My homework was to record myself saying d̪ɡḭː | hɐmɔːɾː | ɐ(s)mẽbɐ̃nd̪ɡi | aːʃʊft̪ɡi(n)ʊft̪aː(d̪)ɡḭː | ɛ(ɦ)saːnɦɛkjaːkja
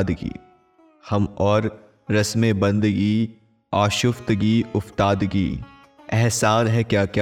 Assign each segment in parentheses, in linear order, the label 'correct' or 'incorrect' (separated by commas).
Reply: correct, incorrect, correct, correct